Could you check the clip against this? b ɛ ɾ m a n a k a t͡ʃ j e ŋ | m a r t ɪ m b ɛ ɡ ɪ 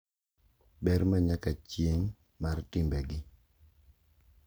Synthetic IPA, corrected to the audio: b ɛ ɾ m a ɲ a k a t͡ʃ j e ŋ | m a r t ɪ m b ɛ ɡ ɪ

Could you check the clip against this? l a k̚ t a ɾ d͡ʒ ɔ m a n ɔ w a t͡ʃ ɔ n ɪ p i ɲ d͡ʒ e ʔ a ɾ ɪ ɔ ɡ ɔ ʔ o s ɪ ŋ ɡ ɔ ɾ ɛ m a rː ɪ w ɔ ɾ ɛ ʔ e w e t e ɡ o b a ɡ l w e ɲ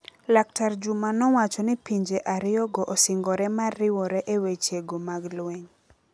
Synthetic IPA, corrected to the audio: l a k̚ t a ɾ d͡ʒ u m a n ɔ w a t͡ʃ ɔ n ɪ p i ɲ d͡ʒ e ʔ a ɾ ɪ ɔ ɡ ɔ ʔ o s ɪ ŋ ɡ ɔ ɾ ɛ m a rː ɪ w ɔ ɾ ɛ ʔ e w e t͡ʃ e ɡ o m a ɡ l w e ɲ

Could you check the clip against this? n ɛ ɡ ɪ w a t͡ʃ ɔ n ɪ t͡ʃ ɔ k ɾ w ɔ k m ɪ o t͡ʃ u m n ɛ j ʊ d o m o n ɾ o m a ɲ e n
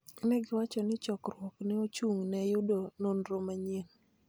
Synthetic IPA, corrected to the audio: n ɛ ɡ ɪ w a t͡ʃ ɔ n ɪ t͡ʃ ɔ k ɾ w ɔ k n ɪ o t͡ʃ u ŋ n ɛ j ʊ d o n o n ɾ o m a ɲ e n

